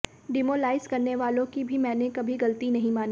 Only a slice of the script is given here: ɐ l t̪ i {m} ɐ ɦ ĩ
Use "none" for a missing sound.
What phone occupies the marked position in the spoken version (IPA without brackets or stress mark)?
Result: n